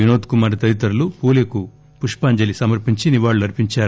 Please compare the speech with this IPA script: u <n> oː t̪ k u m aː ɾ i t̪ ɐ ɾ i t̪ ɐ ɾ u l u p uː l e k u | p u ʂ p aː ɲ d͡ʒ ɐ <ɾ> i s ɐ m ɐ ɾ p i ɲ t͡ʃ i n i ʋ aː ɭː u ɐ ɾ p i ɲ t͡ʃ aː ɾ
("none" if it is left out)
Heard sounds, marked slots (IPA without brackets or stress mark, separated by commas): n, l